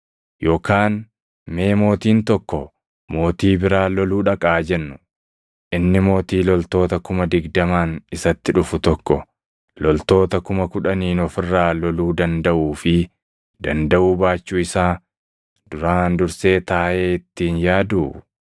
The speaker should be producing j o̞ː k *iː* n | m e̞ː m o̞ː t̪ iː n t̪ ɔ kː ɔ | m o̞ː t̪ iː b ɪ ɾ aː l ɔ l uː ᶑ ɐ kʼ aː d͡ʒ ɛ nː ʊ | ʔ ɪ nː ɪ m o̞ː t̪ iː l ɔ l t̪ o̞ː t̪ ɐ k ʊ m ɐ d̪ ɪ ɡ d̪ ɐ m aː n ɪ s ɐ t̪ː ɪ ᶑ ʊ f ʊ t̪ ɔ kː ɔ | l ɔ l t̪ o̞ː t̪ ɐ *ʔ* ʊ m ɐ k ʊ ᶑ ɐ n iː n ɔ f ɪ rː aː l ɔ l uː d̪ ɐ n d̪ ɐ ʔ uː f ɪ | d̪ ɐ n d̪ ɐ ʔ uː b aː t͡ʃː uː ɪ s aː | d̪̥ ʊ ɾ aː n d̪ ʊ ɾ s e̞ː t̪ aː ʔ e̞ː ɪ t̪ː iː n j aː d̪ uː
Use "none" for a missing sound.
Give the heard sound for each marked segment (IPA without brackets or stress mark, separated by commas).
aː, k